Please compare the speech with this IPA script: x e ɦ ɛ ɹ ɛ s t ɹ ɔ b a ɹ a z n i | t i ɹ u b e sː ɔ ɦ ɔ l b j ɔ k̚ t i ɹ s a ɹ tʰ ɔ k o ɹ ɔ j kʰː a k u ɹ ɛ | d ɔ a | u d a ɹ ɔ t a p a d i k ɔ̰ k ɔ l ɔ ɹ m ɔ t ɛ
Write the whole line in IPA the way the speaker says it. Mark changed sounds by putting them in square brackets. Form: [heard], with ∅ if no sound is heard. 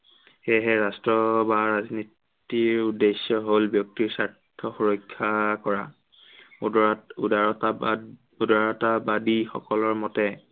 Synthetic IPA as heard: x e ɦ ɛ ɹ [a] s t ɹ ɔ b a ɹ a z n i | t i ɹ u [d] e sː ɔ ɦ [o] l b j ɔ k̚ t i ɹ s a ɹ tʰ ɔ [x] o ɹ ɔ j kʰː a k [ɔ] ɹ [a] | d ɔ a | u d a ɹ ɔ t a [b] a d i [x] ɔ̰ k ɔ l ɔ ɹ m ɔ t ɛ